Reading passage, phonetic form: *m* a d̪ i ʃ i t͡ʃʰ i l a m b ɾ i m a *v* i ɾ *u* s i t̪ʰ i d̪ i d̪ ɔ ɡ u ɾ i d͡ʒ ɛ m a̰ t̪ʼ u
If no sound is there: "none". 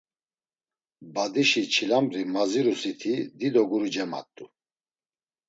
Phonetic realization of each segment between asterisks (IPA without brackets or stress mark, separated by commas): b, z, u